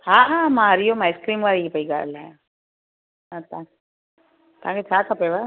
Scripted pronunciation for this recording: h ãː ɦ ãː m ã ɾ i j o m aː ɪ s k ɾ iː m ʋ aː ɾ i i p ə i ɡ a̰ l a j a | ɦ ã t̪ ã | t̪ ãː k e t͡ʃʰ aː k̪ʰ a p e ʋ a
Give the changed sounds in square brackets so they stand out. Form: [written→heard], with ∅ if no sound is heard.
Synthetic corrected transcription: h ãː ɦ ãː m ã ɾ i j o m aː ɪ s k ɾ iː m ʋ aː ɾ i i p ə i ɡ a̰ l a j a | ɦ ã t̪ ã | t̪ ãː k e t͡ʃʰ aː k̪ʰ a p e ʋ a